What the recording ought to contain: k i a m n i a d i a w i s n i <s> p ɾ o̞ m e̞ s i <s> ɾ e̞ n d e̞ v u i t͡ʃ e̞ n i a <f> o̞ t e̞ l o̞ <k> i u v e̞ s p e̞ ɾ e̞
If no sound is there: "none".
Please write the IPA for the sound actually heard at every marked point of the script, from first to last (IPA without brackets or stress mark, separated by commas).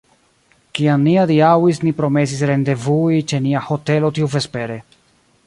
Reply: none, s, h, t